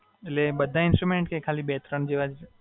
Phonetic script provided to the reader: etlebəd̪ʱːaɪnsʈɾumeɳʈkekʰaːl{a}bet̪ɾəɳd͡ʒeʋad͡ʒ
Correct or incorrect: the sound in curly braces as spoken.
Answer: incorrect: i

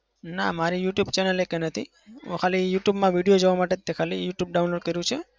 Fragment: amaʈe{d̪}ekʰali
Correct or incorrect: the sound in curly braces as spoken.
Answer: incorrect: t̪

